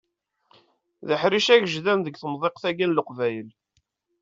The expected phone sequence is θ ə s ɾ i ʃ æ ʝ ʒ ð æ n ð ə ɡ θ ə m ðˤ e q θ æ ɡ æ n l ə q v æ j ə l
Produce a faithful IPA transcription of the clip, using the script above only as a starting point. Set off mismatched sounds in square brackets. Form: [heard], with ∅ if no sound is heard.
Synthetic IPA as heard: [ð] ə [ħ] ɾ i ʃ æ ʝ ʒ ð æ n ð ə ɡ θ ə m ðˤ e q θ æ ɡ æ n l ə q v æ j ə l